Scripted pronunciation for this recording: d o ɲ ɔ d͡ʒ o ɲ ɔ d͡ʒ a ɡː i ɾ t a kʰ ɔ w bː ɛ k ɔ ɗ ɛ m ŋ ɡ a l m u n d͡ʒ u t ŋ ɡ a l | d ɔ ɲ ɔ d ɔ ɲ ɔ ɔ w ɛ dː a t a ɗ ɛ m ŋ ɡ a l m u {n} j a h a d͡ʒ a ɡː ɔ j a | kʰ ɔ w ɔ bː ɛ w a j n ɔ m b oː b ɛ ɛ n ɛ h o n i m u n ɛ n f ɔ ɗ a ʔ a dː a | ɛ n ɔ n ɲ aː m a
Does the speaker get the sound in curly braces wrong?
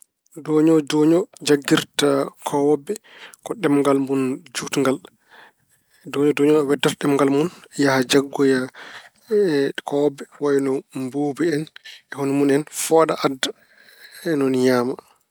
no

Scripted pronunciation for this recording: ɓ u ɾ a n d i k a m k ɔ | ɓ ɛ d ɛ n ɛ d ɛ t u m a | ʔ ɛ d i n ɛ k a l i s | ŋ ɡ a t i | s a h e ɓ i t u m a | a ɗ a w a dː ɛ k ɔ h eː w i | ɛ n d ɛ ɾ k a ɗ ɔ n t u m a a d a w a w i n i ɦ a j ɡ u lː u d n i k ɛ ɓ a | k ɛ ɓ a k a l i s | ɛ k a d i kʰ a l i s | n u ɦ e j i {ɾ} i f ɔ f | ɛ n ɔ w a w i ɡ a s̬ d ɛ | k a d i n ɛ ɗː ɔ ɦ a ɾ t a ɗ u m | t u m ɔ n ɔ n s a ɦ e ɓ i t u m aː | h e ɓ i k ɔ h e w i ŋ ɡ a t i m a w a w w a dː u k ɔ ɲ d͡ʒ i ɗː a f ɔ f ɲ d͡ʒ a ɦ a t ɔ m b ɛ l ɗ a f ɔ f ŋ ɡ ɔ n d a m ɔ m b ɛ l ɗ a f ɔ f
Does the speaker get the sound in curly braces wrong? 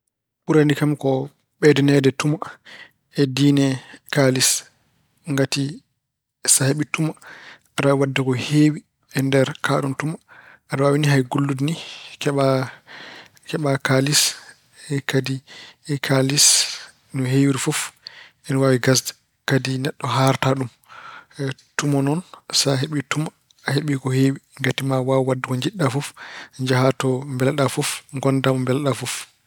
no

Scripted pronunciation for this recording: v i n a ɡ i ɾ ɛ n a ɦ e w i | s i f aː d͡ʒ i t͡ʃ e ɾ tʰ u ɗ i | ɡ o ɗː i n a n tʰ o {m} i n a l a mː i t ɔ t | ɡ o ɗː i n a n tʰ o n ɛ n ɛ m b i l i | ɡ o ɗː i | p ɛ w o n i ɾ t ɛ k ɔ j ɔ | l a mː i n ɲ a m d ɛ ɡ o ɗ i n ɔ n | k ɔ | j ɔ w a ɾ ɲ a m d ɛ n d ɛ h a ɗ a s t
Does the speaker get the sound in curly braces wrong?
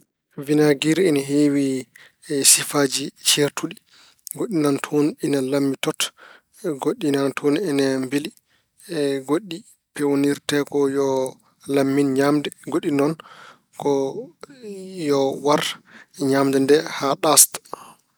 yes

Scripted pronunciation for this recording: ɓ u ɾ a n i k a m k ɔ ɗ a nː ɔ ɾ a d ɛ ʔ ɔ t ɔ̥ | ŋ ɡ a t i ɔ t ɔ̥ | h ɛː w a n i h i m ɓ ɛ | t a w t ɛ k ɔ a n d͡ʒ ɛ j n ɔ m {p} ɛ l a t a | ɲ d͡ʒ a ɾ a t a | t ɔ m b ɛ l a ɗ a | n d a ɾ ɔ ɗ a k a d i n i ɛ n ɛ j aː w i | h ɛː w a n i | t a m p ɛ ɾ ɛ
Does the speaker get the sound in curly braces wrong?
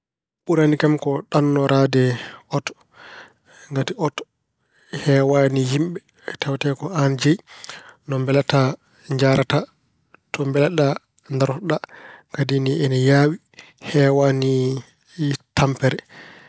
yes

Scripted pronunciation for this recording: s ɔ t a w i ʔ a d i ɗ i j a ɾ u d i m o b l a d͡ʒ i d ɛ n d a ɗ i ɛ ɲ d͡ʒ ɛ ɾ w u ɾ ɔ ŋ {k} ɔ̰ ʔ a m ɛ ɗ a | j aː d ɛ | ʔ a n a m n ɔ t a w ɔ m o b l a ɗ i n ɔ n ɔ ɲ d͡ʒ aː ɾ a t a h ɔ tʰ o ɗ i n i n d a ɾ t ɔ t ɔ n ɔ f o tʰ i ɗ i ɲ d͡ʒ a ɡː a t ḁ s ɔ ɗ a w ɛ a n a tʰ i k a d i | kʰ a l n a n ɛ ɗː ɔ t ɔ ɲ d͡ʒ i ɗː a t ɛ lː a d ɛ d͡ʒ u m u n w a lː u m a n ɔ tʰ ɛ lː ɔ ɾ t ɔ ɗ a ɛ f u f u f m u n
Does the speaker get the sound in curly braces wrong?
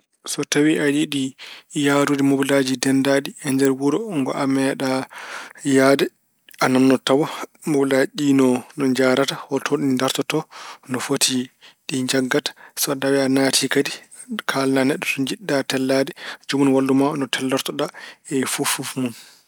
yes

